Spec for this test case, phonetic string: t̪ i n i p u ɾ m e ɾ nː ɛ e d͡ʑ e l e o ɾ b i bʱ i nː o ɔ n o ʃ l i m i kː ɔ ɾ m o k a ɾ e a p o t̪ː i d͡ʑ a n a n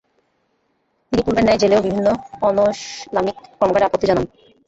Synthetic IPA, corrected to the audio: t̪ i n i p u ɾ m e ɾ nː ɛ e d͡ʑ e l e o b i bʱ i nː o ɔ n o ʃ l a m i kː ɔ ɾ m o k a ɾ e a p o t̪ː i d͡ʑ a n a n